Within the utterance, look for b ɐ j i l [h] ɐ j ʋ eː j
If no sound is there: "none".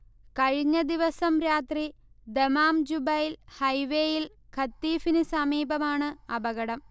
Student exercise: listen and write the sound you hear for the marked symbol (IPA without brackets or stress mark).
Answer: h